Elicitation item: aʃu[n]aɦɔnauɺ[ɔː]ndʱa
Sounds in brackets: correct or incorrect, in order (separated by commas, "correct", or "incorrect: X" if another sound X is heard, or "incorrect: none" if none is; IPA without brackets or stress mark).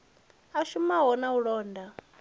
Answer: incorrect: m, correct